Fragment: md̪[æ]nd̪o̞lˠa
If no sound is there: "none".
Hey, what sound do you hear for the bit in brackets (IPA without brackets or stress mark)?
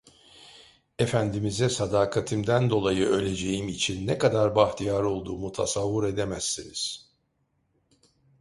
æ